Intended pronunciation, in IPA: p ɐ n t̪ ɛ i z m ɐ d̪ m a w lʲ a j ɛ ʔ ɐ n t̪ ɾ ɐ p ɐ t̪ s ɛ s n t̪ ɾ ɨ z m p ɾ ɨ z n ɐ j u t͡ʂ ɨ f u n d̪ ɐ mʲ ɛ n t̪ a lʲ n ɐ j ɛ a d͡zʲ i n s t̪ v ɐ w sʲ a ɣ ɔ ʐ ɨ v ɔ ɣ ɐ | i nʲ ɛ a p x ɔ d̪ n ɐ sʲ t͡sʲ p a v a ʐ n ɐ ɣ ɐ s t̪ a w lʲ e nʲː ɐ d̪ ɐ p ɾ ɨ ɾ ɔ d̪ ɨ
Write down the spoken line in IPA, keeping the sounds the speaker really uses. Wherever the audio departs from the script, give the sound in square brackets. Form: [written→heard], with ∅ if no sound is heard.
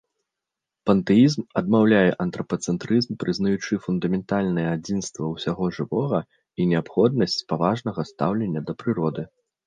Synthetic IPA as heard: p ɐ n t̪ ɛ i z m ɐ d̪ m a w lʲ a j ɛ ʔ ɐ n t̪ ɾ ɐ p ɐ t̪ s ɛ [s→∅] n t̪ ɾ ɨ z m p ɾ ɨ z n ɐ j u t͡ʂ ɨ f u n d̪ ɐ mʲ ɛ n t̪ a lʲ n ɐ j ɛ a d͡zʲ i n s t̪ v ɐ w sʲ a ɣ ɔ ʐ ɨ v ɔ ɣ ɐ | i nʲ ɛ a p x ɔ d̪ n ɐ sʲ t͡sʲ p a v a ʐ n ɐ ɣ ɐ s t̪ a w lʲ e nʲː ɐ d̪ ɐ p ɾ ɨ ɾ ɔ d̪ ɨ